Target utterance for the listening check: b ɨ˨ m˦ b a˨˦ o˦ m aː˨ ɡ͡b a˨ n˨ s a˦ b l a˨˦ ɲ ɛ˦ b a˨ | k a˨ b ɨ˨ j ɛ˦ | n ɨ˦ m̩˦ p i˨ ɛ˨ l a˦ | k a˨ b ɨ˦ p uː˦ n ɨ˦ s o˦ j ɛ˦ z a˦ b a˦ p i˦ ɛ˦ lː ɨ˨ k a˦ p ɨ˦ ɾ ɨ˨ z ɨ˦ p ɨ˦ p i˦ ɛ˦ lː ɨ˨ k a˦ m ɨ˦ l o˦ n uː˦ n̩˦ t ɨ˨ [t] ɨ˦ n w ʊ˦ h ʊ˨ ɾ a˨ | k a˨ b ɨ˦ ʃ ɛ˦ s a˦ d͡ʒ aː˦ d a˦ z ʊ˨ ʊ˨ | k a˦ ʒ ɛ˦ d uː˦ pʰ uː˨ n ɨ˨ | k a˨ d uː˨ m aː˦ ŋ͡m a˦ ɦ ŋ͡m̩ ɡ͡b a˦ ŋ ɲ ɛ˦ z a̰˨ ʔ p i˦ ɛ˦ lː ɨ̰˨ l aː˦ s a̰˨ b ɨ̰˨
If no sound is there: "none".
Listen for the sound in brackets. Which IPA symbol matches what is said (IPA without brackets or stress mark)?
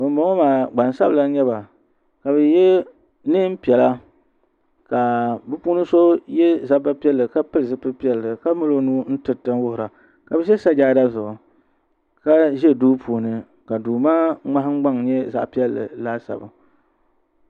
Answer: t